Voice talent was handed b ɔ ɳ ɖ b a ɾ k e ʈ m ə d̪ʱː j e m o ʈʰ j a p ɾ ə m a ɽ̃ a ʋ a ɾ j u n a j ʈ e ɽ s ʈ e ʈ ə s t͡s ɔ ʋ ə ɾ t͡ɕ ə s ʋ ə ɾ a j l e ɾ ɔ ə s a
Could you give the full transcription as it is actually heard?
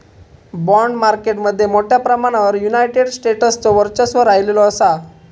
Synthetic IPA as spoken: b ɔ ɳ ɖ m a ɾ k e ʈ m ə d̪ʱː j e m o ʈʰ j a p ɾ ə m a ɽ̃ a ʋ ə ɾ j u n a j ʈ e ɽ s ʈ e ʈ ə s t͡s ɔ ʋ ə ɾ t͡ɕ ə s ʋ ə ɾ a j l e l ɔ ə s a